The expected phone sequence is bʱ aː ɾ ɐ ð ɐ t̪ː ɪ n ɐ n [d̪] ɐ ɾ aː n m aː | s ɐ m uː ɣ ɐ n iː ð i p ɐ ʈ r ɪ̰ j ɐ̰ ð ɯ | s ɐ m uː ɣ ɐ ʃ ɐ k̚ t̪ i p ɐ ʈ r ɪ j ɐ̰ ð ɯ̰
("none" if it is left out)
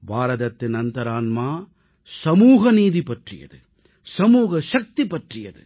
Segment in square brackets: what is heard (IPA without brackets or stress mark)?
t̪